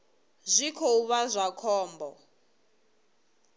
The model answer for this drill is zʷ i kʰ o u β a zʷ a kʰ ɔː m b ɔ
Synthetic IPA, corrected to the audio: zʷ i kʰ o u β a zʷ a kʰ ɔː m b ɔ